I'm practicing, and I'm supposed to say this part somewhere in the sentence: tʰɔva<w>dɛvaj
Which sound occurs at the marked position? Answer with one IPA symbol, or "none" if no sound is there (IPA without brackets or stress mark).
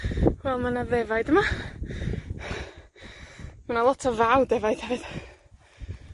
w